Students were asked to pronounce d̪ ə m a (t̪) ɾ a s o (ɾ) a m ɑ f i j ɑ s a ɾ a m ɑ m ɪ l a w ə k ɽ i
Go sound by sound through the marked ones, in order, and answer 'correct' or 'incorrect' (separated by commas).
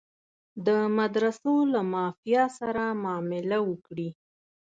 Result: incorrect, incorrect